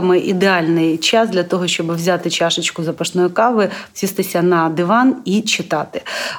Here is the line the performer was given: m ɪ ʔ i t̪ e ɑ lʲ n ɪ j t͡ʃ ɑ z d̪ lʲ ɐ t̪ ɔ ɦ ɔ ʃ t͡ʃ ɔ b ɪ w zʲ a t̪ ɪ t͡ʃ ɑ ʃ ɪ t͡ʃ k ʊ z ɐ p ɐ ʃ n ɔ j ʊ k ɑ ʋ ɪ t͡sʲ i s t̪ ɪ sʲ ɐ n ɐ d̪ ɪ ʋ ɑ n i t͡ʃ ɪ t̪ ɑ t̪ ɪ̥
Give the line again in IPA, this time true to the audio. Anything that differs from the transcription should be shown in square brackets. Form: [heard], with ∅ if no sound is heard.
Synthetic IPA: m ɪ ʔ i [d̪] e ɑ lʲ n ɪ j t͡ʃ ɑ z d̪ lʲ ɐ t̪ ɔ ɦ ɔ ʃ t͡ʃ ɔ b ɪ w zʲ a t̪ ɪ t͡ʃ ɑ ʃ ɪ t͡ʃ k ʊ z ɐ p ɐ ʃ n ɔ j ʊ k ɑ ʋ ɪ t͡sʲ i s t̪ ɪ sʲ ɐ n ɐ d̪ ɪ ʋ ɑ n i t͡ʃ ɪ t̪ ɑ t̪ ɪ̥